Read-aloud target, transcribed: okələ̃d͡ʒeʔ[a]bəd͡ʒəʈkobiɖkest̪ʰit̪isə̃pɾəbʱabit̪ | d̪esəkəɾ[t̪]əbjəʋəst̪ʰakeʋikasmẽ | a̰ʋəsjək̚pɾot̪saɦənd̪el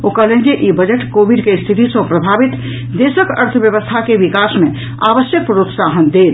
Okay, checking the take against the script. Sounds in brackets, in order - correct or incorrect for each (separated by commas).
incorrect, incorrect